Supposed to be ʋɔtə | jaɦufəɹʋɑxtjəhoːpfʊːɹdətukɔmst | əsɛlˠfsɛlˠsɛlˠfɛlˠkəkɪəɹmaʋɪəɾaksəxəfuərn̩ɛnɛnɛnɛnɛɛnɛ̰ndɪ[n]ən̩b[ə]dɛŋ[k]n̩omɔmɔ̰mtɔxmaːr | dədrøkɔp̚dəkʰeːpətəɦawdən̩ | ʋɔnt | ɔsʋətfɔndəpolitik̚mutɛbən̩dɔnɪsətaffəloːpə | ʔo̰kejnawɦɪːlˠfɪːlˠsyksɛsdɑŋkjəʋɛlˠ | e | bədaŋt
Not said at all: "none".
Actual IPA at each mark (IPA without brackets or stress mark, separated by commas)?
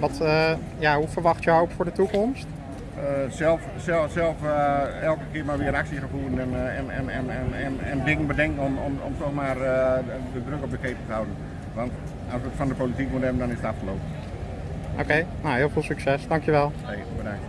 ŋ, ə, k